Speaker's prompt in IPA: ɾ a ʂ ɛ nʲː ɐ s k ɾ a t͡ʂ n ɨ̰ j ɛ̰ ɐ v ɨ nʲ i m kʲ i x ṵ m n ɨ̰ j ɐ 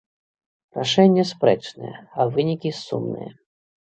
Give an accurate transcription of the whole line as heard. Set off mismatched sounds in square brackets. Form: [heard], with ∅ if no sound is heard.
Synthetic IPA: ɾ a ʂ ɛ nʲː ɐ s [p] ɾ [ɛ] t͡ʂ n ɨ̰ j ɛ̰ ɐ v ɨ nʲ i [∅] kʲ i [s] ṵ m n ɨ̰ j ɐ